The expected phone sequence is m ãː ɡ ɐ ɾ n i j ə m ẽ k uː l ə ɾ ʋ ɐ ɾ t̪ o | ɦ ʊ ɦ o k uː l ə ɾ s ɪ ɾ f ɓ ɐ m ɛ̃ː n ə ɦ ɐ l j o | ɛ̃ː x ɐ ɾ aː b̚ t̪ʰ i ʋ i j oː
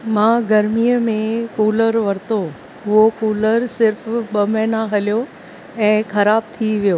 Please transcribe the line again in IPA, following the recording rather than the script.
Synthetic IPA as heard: m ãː ɡ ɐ ɾ m i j ə m ẽ k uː l ə ɾ ʋ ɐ ɾ t̪ o | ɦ ʊ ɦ o k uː l ə ɾ s ɪ ɾ f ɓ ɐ m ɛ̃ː n a ɦ ɐ l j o | ɛ̃ː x ɐ ɾ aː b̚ t̪ʰ i ʋ i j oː